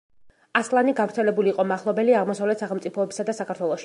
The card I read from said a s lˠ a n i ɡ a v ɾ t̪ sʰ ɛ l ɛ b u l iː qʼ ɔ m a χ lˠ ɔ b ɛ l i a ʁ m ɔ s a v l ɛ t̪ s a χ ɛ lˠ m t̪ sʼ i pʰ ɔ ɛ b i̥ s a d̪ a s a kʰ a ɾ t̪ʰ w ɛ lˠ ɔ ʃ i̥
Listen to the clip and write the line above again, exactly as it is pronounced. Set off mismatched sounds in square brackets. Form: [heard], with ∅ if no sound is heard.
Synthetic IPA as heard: a s lˠ a n i ɡ a v ɾ t̪ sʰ ɛ l ɛ b u l iː qʼ ɔ m a χ lˠ ɔ b ɛ l i a ʁ m ɔ s a v l ɛ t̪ s a χ ɛ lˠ m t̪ sʼ i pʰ ɔ ɛ b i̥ s a d̪ a s a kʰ a ɾ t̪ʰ w ɛ lˠ ɔ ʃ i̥